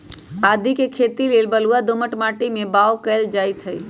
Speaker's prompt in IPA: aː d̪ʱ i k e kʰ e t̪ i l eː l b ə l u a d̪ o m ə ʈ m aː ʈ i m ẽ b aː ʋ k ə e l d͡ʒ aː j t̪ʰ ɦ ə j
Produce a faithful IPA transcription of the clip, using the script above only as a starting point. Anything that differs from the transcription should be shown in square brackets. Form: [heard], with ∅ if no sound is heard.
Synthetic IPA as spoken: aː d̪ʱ i k e kʰ e t̪ i l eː l b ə l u a d̪ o m ə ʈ m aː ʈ i m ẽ b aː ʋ k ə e l d͡ʒ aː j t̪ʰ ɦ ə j